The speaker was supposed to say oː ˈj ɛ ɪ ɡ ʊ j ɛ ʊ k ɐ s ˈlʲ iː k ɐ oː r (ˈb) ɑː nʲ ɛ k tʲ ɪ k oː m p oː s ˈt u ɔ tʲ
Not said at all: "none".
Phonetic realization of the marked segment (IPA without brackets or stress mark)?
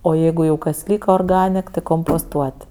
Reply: ɡ